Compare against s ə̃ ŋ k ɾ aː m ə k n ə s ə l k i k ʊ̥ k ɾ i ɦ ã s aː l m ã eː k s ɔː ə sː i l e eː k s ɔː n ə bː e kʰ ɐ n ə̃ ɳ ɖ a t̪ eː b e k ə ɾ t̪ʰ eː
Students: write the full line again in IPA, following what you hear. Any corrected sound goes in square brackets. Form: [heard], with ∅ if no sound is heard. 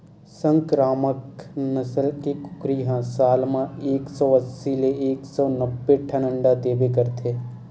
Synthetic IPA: s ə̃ ŋ k ɾ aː m ə k n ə s ə l k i k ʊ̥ k ɾ i ɦ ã s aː l m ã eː k s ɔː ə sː i l e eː k s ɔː n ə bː e [ʈʰ] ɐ n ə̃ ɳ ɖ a [d̪] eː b e k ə ɾ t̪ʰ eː